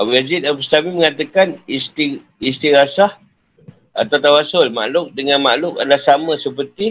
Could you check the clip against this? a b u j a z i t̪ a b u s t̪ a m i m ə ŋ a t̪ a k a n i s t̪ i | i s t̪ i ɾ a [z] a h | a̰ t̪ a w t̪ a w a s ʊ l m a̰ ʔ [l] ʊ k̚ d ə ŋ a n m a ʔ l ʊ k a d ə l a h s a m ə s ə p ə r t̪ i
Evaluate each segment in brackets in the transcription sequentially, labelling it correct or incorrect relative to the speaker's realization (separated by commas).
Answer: incorrect, correct